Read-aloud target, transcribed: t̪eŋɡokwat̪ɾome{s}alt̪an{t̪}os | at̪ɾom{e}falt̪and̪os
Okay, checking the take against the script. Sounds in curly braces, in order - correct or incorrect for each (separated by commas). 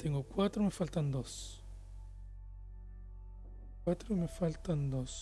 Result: incorrect, incorrect, correct